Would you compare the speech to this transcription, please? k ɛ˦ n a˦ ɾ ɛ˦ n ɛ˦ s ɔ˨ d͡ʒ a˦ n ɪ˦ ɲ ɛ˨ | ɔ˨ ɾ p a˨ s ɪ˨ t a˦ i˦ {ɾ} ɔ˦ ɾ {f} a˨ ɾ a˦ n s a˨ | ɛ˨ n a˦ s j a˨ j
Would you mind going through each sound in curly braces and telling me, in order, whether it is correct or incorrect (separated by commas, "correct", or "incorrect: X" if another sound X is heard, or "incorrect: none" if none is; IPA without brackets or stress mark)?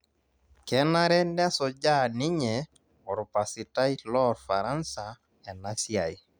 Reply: incorrect: l, correct